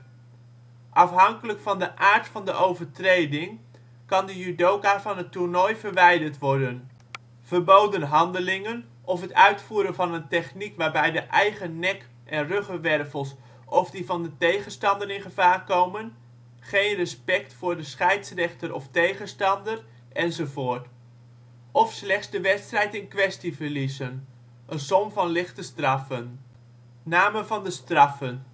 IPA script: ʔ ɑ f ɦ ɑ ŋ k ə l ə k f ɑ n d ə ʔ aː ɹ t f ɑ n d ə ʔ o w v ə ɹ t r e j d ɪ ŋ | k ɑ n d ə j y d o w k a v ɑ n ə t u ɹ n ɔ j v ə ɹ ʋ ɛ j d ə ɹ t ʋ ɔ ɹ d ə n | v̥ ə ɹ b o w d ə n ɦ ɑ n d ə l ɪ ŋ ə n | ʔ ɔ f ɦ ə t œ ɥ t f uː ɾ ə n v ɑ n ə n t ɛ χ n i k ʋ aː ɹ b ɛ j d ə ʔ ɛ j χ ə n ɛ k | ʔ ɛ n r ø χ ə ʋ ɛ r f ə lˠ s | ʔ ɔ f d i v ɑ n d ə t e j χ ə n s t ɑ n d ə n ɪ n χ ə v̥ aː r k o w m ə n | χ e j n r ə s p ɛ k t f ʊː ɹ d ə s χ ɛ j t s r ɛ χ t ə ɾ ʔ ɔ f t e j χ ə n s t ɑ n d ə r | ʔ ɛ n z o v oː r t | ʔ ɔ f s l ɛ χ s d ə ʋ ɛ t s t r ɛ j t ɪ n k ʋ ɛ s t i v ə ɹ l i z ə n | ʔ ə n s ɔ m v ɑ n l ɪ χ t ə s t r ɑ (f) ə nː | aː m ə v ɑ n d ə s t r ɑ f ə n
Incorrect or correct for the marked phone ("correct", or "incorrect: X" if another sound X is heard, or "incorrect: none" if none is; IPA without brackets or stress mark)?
correct